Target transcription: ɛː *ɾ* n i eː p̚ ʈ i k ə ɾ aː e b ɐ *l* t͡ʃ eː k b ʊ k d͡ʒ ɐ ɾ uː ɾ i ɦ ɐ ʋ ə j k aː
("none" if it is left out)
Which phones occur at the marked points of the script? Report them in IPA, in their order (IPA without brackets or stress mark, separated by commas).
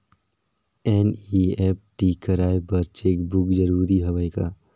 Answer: none, ɾ